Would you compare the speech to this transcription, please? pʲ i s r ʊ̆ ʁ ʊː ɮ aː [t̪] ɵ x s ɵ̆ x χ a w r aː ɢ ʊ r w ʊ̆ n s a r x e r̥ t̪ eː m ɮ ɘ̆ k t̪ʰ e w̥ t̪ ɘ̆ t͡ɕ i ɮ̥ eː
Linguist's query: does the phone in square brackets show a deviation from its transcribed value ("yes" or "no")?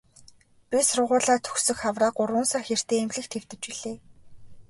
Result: yes